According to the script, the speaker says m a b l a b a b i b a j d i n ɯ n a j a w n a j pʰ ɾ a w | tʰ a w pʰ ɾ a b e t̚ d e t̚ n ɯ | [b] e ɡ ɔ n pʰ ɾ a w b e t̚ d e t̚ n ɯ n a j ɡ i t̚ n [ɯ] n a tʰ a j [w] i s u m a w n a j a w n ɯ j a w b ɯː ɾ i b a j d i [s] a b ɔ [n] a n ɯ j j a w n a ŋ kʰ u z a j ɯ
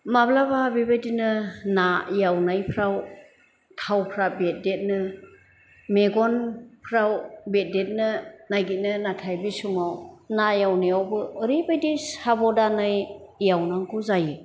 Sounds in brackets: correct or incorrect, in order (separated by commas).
incorrect, correct, incorrect, correct, incorrect